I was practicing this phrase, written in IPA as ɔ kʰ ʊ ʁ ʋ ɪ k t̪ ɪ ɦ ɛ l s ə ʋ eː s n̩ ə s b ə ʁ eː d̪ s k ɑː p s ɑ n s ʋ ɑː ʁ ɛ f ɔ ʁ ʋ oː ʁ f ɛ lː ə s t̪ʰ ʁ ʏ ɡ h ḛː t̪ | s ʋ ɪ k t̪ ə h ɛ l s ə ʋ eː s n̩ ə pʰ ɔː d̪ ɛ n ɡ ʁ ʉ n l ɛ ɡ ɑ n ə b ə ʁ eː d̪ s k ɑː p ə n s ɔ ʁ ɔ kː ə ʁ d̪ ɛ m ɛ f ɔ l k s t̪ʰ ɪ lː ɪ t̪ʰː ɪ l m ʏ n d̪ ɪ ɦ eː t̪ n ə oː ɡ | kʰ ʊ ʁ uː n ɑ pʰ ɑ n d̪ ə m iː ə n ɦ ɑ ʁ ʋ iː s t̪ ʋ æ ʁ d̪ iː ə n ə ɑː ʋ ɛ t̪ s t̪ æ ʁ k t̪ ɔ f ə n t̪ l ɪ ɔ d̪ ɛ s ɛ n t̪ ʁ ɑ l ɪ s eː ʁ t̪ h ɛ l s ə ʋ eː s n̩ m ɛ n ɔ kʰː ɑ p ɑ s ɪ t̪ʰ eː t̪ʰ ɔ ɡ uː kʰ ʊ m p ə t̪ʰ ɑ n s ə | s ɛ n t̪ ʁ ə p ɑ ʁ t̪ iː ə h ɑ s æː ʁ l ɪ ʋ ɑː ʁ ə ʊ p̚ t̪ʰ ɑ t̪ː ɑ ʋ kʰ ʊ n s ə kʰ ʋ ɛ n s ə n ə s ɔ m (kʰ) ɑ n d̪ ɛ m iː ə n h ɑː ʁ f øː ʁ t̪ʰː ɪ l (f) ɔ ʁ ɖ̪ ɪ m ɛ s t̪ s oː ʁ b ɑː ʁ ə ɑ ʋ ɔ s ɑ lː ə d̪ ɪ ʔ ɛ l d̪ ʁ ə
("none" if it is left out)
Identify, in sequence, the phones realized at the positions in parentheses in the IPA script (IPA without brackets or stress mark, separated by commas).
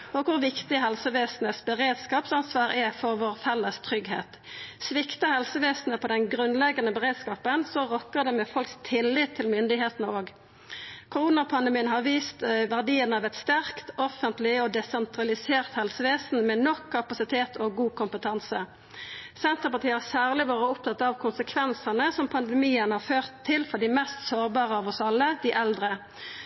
pʰ, f